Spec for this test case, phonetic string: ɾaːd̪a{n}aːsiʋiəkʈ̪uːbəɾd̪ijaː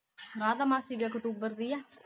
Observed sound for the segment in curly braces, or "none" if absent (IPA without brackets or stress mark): m